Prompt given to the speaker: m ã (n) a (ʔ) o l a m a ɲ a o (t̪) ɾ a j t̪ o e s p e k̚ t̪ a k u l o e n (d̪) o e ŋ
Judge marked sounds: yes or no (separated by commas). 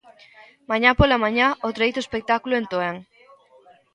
no, no, yes, no